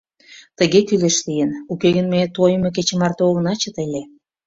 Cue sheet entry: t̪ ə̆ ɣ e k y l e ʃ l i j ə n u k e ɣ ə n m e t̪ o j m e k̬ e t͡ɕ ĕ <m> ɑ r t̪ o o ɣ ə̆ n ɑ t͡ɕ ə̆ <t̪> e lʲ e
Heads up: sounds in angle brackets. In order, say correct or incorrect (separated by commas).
correct, correct